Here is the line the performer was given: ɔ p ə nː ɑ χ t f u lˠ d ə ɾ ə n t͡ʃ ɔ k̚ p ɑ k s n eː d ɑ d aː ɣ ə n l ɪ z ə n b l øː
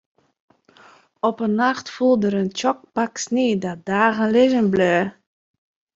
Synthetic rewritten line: ɔ p ə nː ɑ χ t f u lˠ d ə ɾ ə n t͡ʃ ɔ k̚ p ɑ k s n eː d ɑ d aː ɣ ə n l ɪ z ə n b l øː